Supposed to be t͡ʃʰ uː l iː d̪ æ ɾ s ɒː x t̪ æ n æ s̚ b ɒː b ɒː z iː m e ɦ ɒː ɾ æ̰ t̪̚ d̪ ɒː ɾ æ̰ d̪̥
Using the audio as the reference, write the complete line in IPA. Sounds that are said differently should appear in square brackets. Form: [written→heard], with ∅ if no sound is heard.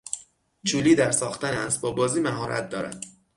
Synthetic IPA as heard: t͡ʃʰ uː l iː d̪ æ ɾ s ɒː x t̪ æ n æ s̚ b ɒː b ɒː z iː m [e→æ] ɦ ɒː ɾ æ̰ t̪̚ d̪ ɒː ɾ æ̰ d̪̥